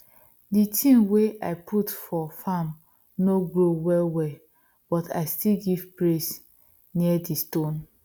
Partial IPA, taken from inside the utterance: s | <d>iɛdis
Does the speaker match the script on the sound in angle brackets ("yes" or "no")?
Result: no